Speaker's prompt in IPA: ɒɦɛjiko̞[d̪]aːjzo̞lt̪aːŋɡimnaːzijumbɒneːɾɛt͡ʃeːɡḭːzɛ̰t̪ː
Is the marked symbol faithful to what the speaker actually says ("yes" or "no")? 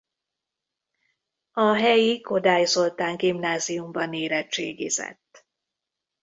yes